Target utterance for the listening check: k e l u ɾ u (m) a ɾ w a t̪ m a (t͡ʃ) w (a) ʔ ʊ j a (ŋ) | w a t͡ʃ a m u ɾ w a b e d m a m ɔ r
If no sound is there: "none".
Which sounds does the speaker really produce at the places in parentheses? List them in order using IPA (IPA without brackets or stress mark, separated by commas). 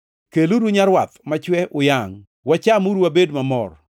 ɲ, t͡ʃ, ɛ, ŋ